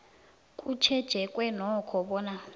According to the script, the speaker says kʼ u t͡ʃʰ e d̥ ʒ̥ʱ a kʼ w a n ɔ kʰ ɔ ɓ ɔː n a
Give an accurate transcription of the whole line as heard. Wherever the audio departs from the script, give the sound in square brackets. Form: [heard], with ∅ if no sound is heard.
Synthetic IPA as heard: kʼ u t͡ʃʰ [ɛ] d̥ ʒ̥ʱ [ɛ] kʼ w [ɛ] n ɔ kʰ ɔ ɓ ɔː n a